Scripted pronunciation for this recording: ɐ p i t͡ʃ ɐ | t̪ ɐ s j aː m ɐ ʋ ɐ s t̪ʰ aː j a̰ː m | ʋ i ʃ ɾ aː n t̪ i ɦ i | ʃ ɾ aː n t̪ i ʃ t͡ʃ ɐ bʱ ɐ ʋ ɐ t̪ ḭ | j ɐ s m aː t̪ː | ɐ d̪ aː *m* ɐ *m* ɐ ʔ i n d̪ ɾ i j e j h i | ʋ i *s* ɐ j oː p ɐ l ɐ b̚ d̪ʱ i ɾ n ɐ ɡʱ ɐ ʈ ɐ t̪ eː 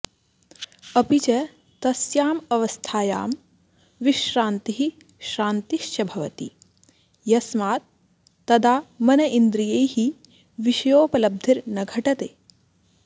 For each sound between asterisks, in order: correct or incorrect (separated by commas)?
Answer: correct, incorrect, incorrect